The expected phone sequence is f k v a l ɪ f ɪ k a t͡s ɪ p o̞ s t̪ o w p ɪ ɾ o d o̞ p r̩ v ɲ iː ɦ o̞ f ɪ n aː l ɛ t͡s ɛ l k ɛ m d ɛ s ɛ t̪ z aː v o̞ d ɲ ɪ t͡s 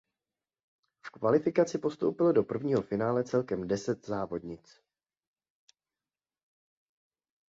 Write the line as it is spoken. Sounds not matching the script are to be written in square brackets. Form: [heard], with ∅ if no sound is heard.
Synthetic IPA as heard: f k v a l ɪ f ɪ k a t͡s ɪ p o̞ s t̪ o w p ɪ [l] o d o̞ p r̩ v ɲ iː ɦ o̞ f ɪ n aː l ɛ t͡s ɛ l k ɛ m d ɛ s ɛ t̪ z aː v o̞ d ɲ ɪ t͡s